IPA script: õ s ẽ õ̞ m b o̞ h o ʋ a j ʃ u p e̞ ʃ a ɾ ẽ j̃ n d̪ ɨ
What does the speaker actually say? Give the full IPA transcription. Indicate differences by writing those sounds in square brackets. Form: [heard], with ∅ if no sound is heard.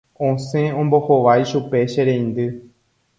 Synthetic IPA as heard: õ s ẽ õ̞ m b o̞ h o ʋ a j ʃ u p e̞ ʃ [e] ɾ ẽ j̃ n d̪ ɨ